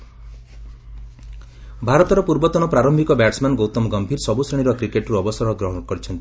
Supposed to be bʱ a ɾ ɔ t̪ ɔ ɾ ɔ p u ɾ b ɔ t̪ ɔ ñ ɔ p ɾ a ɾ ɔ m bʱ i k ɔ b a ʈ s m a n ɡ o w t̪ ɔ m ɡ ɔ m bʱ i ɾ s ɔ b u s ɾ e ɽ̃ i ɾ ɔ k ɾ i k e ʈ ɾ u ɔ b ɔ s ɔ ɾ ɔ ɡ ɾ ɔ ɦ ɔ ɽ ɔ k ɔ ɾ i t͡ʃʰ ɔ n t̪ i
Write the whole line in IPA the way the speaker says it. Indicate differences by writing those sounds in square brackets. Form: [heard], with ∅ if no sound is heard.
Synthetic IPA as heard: bʱ a ɾ ɔ t̪ ɔ ɾ ɔ p u ɾ b ɔ t̪ ɔ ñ ɔ p ɾ a ɾ ɔ m bʱ i k ɔ b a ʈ s m a n ɡ o w t̪ ɔ m ɡ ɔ m bʱ i ɾ s ɔ b u s ɾ e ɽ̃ i ɾ ɔ k ɾ i k e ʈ ɾ u ɔ b ɔ s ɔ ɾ ɔ ɡ ɾ ɔ ɦ ɔ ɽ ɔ k ɔ ɾ i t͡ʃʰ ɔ n t̪ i